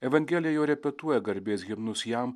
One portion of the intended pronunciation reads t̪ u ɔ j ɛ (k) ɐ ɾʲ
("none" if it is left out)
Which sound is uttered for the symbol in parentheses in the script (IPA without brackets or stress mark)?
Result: ɡ